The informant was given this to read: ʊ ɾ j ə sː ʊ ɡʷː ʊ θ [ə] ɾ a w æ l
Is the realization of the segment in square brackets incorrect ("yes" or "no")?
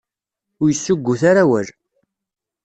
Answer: yes